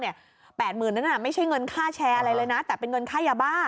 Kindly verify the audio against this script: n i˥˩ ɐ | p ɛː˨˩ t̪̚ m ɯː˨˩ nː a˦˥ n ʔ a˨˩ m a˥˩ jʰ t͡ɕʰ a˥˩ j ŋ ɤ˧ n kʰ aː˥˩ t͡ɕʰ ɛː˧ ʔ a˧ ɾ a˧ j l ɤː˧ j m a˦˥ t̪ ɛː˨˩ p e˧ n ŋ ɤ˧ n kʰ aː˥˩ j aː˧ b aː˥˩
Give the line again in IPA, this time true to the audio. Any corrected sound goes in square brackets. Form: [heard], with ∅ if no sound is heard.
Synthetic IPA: n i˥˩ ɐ | p ɛː˨˩ t̪̚ m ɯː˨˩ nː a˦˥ n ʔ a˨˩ m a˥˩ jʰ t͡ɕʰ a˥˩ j ŋ ɤ˧ n kʰ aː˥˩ t͡ɕʰ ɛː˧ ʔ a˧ ɾ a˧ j l ɤː˧ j [n] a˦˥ t̪ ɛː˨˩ p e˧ n ŋ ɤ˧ n kʰ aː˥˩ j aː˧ b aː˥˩